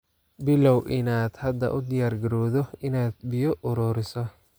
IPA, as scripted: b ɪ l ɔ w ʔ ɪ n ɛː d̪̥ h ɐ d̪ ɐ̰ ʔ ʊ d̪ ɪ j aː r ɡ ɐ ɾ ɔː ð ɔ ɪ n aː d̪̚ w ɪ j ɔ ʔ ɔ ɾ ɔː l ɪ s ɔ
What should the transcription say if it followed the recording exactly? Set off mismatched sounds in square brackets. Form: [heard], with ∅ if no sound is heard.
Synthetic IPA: b ɪ l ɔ w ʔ ɪ n [aː] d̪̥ h ɐ d̪ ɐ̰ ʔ ʊ d̪ ɪ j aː r ɡ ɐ ɾ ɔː ð ɔ ɪ n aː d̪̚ [b] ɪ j ɔ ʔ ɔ ɾ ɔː [ɾ] ɪ s ɔ